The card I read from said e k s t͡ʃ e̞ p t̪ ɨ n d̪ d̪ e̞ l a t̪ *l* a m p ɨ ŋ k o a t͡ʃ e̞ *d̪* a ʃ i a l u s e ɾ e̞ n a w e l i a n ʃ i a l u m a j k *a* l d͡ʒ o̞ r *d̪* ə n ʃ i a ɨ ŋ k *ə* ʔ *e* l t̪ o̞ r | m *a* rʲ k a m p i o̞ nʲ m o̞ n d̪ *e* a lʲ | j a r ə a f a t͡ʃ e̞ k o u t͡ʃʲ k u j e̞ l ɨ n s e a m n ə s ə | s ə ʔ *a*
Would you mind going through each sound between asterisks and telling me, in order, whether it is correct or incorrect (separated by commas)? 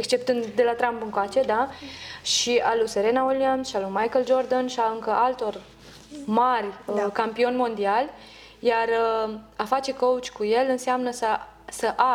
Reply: incorrect, correct, incorrect, correct, correct, incorrect, correct, incorrect, correct